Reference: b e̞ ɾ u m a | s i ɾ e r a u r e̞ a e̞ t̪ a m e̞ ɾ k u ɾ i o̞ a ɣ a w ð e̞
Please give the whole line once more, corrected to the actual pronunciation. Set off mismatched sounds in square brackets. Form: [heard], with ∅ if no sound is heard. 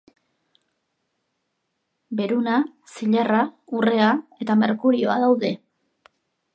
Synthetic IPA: b e̞ ɾ u [n] a | s i [ʎ] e r a u r e̞ a e̞ t̪ a m e̞ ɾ k u ɾ i o̞ a [ð] a w ð e̞